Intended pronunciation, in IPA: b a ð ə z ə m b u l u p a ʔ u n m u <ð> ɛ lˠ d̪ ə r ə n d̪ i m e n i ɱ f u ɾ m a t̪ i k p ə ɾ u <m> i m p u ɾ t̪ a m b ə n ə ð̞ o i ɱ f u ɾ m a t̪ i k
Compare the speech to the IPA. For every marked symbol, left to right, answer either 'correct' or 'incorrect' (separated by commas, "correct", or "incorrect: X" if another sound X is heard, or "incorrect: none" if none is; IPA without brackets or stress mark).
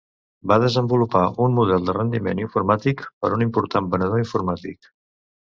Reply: correct, incorrect: n